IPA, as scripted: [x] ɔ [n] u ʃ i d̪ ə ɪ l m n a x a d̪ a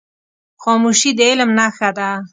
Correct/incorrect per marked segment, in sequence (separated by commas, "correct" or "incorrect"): correct, incorrect